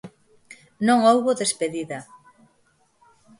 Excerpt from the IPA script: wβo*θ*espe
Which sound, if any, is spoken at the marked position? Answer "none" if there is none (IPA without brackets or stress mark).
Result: ð